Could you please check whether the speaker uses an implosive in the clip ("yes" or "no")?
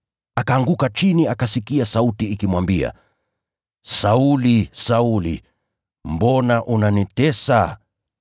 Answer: no